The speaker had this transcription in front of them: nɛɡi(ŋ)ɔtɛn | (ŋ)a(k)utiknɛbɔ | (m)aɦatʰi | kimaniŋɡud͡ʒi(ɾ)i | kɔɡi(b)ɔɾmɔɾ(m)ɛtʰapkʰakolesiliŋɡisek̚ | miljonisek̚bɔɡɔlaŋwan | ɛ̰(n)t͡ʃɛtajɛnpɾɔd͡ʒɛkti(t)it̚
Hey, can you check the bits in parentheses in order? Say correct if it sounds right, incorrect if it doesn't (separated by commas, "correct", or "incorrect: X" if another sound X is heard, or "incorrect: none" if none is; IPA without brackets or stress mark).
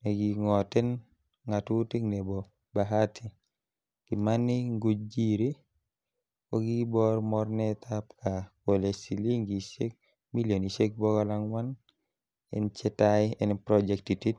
correct, correct, incorrect: t, incorrect: b, correct, correct, incorrect: n, correct, correct